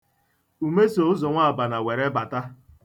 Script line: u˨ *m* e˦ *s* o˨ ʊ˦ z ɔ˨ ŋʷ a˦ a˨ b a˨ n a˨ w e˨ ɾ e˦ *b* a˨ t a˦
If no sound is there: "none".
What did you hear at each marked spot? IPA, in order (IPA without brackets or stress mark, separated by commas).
m, s, b